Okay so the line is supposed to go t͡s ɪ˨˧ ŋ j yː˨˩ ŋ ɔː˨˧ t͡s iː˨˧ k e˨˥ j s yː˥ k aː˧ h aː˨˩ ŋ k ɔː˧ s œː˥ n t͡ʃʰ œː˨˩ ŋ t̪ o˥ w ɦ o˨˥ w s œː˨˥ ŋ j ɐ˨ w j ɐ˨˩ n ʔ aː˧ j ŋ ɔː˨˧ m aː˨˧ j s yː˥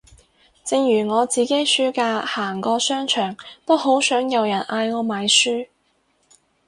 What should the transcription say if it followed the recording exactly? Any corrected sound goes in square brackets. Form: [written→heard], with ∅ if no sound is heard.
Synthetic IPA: t͡s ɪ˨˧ ŋ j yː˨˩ ŋ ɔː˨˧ t͡s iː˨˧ k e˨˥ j s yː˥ k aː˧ h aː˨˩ ŋ k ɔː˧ s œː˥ [n→ŋ] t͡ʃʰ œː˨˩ ŋ t̪ o˥ w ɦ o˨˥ w s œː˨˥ ŋ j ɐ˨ w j ɐ˨˩ n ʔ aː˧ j ŋ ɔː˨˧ m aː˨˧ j s yː˥